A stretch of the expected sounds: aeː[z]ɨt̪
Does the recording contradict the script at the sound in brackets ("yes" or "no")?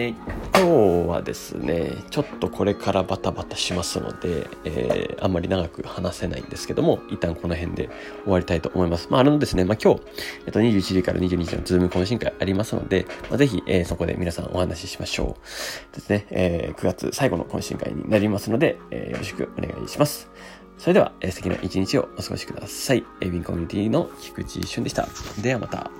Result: yes